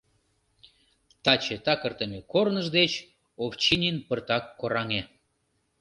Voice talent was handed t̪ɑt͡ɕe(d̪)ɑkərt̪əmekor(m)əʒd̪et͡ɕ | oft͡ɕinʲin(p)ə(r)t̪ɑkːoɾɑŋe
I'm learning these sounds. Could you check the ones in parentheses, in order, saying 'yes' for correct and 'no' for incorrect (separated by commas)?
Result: no, no, yes, yes